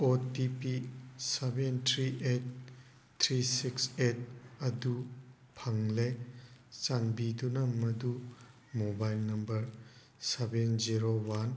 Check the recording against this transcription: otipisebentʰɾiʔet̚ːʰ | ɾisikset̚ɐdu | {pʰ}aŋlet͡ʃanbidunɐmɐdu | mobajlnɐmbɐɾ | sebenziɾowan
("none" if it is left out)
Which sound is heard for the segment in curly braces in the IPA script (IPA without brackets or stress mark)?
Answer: pʰ